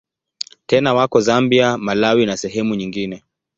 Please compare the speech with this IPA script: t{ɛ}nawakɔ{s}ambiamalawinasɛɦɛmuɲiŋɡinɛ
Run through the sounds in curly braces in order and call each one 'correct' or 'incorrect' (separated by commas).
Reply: correct, incorrect